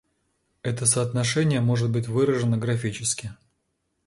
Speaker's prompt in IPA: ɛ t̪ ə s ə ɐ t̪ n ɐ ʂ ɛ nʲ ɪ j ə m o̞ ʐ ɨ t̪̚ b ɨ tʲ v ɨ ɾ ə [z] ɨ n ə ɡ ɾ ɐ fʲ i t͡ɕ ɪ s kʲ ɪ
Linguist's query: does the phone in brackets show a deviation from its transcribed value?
yes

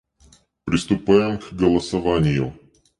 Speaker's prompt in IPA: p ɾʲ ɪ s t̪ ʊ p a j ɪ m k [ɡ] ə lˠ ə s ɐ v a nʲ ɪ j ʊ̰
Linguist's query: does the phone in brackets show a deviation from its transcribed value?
no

